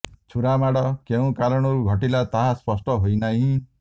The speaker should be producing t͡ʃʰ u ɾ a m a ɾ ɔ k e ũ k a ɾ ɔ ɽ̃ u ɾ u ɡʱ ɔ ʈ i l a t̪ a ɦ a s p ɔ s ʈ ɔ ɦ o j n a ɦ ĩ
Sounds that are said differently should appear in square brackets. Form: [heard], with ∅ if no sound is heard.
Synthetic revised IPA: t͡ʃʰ u ɾ a m a [ɽ] ɔ k e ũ k a ɾ ɔ ɽ̃ [ɔ] ɾ u ɡʱ ɔ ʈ i l a t̪ a ɦ a s p ɔ s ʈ ɔ ɦ o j n a ɦ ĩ